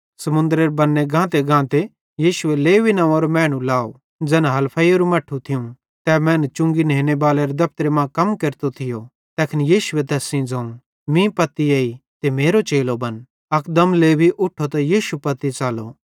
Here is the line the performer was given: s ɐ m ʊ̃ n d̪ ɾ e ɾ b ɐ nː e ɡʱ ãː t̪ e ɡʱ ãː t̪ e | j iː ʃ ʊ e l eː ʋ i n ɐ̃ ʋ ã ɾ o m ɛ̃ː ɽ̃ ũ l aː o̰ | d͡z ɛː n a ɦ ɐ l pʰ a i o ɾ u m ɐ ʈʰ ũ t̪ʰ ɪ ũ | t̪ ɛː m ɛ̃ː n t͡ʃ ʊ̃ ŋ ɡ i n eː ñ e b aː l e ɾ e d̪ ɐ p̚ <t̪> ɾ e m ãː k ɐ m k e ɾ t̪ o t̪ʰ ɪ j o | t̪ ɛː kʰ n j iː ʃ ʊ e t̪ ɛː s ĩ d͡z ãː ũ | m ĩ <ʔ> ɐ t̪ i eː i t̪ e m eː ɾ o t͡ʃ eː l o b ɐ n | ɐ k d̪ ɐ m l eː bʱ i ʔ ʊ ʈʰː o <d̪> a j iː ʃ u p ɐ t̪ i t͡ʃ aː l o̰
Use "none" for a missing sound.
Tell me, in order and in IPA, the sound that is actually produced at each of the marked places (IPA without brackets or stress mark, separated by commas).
t̪, p, t̪